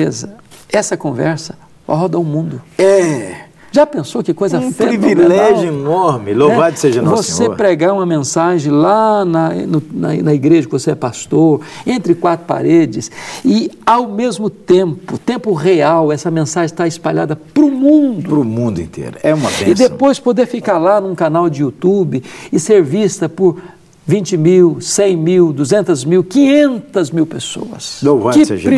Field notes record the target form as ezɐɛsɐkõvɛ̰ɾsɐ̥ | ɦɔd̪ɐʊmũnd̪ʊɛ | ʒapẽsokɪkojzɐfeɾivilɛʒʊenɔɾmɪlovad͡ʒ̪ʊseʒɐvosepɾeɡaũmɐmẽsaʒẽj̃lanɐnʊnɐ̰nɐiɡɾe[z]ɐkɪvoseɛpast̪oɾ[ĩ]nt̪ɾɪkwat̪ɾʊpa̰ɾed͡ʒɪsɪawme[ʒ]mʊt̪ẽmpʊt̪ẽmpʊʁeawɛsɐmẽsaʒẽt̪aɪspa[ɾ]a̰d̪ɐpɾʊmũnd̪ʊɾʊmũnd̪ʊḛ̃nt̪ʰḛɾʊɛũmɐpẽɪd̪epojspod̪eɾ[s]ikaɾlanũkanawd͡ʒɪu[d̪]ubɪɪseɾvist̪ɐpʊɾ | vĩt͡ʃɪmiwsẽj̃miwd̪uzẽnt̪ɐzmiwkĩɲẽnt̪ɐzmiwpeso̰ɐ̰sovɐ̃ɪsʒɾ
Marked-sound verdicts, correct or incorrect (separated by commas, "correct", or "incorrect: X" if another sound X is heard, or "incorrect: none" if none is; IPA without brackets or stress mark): incorrect: ʒ, incorrect: ẽ, incorrect: z, incorrect: ʎ, incorrect: f, incorrect: t̪